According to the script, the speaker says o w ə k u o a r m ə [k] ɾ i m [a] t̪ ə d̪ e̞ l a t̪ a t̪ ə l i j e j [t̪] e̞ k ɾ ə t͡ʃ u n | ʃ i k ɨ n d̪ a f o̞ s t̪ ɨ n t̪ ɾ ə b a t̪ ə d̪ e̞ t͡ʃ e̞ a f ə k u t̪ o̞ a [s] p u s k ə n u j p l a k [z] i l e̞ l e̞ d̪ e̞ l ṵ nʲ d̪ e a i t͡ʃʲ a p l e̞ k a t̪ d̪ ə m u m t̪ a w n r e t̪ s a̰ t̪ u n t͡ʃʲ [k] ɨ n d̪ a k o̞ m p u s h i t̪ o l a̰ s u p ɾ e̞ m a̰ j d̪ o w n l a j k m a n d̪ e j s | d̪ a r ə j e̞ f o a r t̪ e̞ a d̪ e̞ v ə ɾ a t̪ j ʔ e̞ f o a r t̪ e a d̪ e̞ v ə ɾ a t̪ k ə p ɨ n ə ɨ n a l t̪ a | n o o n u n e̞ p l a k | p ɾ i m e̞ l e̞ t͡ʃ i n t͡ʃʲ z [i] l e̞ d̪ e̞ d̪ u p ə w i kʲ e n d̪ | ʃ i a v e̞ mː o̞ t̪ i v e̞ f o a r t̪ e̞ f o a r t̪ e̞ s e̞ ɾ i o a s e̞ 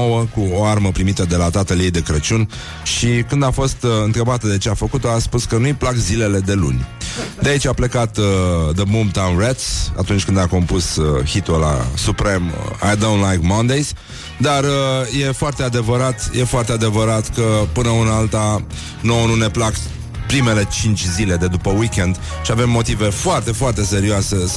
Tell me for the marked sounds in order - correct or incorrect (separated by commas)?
incorrect, incorrect, incorrect, correct, correct, correct, correct